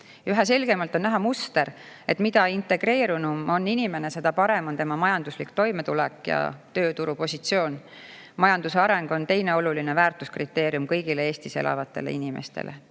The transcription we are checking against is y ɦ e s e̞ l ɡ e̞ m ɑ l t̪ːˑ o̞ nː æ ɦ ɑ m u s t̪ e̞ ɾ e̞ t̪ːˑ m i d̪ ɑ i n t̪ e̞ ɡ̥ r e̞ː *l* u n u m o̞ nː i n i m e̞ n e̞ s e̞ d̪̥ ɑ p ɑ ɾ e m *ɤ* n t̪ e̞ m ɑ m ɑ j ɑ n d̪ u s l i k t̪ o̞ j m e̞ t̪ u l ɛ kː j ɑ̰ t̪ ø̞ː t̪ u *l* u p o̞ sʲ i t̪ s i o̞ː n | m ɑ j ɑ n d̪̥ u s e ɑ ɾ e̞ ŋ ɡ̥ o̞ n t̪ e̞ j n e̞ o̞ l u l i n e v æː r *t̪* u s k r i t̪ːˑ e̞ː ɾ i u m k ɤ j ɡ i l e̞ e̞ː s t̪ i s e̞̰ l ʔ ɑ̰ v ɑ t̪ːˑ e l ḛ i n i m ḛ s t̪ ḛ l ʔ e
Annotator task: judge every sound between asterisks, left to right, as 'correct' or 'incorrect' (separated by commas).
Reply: incorrect, incorrect, incorrect, correct